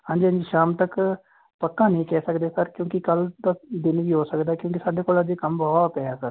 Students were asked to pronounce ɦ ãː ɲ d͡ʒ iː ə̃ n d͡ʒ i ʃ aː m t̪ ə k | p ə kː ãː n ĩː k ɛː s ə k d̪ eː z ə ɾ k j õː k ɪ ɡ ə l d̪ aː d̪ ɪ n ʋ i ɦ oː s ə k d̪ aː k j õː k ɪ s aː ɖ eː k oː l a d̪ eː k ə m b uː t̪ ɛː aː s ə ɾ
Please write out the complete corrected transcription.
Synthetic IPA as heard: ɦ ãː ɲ d͡ʒ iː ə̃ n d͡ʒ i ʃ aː m t̪ ə k | p ə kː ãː n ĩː k ɛː s ə k d̪ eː s ə ɾ k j õː k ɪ k ə l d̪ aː d̪ ɪ n ʋ iː ɦ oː s ə k d̪ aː k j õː k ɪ s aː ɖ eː k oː l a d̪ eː k ə m b ɔː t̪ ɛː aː s ə ɾ